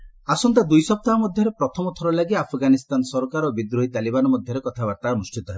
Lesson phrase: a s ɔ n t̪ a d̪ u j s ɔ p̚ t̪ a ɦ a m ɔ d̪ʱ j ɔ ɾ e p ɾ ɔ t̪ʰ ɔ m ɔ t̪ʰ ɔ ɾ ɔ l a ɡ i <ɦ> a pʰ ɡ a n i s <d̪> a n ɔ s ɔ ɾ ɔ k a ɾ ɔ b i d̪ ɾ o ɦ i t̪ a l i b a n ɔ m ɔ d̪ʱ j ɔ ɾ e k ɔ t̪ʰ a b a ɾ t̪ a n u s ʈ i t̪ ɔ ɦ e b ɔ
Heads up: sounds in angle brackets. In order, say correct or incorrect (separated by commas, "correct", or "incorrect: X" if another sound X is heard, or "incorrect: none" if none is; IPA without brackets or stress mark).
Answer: incorrect: none, incorrect: t̪